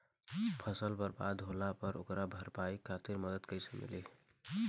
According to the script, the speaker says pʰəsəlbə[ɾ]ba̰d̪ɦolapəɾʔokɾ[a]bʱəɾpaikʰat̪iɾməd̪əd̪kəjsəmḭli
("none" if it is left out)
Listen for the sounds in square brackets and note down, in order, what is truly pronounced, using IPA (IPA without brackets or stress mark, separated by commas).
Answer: ɾ, a